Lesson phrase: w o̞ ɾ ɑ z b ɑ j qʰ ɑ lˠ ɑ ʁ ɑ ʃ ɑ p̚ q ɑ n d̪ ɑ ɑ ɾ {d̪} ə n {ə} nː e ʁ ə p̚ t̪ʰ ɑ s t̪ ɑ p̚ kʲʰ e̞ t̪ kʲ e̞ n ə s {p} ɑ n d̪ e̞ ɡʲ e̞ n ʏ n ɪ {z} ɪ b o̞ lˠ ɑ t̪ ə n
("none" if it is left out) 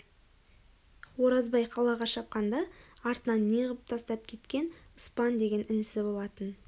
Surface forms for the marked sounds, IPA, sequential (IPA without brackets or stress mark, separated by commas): t̪, ɑ, p, s